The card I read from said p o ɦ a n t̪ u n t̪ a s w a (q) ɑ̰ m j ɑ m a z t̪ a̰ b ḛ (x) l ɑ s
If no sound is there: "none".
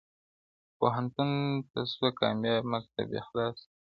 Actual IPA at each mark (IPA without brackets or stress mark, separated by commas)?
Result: k, x